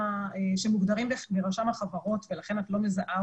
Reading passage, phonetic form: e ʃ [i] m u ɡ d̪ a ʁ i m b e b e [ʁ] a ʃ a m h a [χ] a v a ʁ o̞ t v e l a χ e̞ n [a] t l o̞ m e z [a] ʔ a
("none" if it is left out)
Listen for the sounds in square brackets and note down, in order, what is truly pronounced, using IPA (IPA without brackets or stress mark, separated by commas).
e, ʁ, χ, a, a